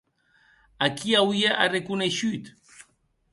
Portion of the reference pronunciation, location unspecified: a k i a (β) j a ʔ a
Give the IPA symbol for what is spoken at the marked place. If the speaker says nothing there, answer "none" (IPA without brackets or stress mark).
w